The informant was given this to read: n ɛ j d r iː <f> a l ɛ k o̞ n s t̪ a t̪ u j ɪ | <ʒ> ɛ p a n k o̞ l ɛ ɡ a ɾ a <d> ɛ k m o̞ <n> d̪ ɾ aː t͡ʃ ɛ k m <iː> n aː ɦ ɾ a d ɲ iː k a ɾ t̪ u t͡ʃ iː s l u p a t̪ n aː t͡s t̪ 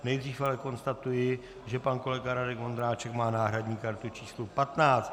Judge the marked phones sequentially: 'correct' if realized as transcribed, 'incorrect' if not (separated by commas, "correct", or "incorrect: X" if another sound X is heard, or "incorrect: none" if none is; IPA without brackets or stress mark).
correct, correct, correct, correct, incorrect: aː